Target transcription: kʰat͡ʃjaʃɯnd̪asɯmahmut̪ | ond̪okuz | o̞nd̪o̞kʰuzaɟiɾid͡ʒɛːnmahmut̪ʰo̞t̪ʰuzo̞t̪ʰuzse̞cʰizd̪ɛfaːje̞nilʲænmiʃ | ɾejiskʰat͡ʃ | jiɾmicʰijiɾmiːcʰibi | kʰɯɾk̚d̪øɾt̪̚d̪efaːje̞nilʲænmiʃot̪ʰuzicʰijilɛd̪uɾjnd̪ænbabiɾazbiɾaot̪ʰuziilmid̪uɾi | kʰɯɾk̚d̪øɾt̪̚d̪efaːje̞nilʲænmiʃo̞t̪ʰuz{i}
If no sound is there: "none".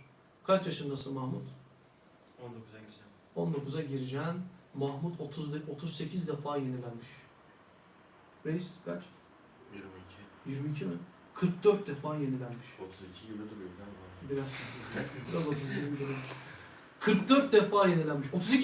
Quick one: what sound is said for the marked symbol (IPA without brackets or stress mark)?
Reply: i